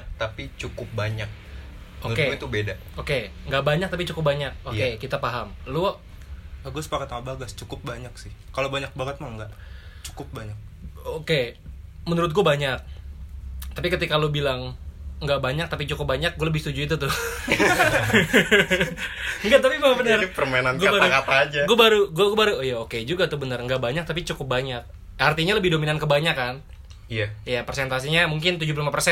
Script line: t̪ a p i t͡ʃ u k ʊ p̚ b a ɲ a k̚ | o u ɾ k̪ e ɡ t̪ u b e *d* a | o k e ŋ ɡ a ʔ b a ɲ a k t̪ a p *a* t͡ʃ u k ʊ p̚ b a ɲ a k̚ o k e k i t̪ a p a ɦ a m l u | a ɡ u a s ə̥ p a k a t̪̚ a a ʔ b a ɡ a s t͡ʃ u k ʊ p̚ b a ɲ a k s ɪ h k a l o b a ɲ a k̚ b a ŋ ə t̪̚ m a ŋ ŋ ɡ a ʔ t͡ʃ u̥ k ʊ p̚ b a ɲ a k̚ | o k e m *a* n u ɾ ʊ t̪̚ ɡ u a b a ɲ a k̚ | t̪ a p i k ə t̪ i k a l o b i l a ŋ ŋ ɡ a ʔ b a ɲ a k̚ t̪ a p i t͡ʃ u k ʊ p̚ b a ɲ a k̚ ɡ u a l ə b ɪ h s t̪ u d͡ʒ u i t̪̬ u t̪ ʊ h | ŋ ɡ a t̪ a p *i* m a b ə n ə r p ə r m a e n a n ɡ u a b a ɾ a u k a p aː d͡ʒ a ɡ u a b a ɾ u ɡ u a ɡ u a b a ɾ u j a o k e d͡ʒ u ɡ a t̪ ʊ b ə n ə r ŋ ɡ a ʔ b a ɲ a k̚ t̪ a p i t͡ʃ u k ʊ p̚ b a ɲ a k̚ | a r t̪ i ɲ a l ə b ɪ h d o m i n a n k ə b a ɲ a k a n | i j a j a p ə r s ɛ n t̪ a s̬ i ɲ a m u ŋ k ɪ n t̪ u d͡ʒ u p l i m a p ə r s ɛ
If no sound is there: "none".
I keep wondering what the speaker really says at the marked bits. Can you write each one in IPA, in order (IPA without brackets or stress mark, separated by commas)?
d, i, ə, i